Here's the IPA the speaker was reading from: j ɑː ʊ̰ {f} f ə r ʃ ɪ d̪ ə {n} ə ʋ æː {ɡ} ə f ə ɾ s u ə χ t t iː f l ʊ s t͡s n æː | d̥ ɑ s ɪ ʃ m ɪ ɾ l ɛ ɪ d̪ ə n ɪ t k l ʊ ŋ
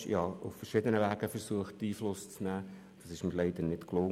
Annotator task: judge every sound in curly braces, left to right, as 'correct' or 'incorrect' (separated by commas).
correct, correct, correct